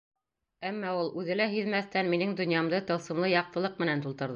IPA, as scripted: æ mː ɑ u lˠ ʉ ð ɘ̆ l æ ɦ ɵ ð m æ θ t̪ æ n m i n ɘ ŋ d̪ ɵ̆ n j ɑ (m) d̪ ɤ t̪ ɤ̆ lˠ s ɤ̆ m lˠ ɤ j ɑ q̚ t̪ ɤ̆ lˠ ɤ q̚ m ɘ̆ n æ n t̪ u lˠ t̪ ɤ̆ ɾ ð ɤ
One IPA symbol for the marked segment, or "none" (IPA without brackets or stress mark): m